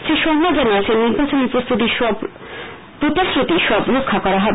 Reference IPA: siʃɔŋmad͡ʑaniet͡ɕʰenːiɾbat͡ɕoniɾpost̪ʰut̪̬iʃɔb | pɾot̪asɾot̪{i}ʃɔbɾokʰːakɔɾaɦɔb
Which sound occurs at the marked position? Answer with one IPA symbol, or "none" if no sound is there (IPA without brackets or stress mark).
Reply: i